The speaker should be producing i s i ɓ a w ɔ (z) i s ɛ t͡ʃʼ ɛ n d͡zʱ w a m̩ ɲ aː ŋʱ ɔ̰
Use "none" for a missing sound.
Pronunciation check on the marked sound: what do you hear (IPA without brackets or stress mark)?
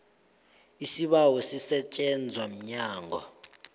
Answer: s